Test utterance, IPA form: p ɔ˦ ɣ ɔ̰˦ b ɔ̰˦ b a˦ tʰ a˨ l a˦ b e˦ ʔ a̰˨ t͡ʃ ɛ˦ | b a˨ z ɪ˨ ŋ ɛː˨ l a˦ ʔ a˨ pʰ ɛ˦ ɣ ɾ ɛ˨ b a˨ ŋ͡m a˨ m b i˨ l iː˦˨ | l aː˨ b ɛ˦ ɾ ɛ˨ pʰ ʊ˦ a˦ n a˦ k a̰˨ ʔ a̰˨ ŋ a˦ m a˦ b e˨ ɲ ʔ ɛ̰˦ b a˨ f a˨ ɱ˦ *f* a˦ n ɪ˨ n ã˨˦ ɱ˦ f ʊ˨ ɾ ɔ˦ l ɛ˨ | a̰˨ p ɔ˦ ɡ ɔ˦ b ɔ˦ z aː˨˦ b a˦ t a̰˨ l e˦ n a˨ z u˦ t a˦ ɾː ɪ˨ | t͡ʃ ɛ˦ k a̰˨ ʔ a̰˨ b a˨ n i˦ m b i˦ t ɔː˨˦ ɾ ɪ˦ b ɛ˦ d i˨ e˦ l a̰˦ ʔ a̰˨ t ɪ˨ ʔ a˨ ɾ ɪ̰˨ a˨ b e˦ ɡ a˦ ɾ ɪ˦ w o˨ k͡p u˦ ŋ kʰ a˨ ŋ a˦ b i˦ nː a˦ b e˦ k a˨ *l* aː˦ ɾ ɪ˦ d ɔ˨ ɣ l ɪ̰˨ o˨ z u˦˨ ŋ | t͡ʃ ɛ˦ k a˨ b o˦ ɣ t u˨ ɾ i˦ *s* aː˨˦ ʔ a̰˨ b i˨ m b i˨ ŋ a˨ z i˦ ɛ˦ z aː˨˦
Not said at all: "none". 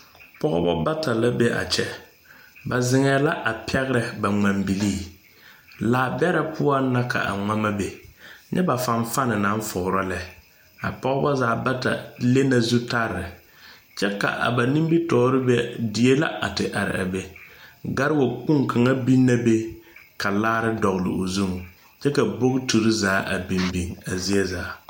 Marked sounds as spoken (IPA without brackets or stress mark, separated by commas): f, l, z